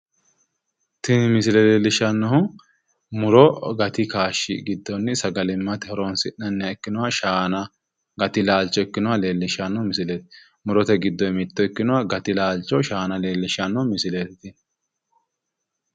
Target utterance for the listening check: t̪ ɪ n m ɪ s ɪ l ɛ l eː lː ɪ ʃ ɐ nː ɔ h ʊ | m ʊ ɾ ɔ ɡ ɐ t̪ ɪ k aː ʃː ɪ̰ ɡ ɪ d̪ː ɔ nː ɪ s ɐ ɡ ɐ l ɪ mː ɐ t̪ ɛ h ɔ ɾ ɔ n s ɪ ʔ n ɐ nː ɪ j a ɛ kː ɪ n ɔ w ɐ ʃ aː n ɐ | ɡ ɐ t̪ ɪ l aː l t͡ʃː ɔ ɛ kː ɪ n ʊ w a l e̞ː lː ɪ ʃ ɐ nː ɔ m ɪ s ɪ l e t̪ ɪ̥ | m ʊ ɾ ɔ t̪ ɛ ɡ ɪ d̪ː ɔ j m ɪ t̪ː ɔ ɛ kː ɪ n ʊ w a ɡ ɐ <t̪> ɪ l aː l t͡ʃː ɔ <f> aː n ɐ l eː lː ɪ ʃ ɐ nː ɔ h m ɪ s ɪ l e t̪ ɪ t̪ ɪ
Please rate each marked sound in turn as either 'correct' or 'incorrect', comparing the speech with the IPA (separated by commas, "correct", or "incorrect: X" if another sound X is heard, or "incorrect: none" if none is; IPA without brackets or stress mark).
correct, incorrect: ʃ